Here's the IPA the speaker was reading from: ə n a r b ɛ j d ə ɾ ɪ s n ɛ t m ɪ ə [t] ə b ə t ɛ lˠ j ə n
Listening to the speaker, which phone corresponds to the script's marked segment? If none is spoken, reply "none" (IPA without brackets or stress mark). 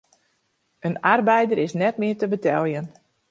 t